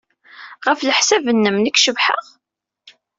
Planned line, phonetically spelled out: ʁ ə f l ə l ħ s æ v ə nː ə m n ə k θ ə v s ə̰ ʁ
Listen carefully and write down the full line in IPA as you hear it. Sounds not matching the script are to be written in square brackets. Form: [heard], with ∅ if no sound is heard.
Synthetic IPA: ʁ ə f l ə [∅] ħ s æ v ə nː ə m n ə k [ʃ] ə v [ħ] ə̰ ʁ